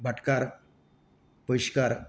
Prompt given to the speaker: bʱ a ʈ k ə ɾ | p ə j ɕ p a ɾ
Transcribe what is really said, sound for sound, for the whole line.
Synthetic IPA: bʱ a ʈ k a ɾ | p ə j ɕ k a ɾ